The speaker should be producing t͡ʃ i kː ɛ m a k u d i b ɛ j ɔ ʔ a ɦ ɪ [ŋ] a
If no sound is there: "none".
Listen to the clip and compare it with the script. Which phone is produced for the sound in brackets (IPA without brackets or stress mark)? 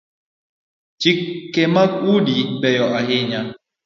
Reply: ɲ